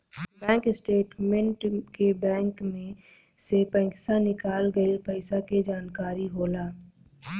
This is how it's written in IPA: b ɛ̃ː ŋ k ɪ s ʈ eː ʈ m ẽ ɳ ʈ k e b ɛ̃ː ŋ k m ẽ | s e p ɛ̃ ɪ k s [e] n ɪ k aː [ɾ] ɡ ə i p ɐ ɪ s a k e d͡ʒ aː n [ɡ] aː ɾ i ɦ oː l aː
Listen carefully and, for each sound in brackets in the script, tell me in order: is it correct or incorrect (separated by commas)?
incorrect, incorrect, incorrect